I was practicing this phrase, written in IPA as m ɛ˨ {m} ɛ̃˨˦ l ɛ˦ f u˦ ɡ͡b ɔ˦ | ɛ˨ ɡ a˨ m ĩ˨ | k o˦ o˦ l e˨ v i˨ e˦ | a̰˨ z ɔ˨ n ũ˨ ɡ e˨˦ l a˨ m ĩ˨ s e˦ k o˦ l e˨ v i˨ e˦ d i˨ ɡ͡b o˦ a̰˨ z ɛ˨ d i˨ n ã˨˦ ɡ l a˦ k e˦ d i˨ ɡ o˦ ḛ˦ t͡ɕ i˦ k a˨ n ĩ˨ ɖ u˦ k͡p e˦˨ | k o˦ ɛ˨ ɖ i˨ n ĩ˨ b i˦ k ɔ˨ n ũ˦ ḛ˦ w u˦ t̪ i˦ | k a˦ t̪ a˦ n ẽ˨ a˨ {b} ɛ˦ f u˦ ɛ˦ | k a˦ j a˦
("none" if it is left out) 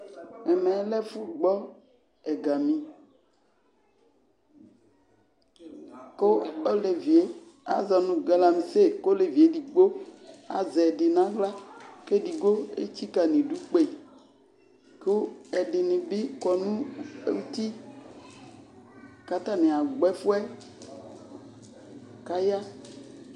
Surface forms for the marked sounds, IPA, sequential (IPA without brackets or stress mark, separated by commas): m, ɡ͡b